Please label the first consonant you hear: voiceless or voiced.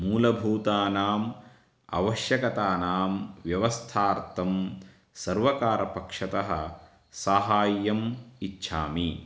voiced